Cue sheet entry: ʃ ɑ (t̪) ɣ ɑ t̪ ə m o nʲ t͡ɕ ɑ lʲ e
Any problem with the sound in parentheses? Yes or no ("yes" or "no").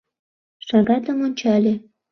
yes